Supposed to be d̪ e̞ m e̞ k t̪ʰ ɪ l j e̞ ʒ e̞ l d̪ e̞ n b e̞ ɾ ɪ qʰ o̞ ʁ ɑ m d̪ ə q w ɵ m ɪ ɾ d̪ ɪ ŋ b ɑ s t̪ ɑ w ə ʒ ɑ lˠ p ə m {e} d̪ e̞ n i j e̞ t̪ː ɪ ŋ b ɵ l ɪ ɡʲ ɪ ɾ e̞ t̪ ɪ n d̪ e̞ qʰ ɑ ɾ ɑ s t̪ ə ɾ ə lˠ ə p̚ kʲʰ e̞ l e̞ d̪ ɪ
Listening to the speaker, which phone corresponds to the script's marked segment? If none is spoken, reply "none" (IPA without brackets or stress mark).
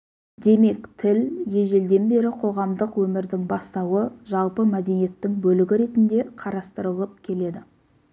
æ